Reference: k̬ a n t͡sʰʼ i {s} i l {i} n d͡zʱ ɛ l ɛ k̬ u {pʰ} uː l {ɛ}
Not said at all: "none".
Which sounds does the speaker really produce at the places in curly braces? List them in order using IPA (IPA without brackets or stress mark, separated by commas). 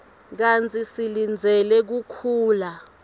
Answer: s, i, kʰ, a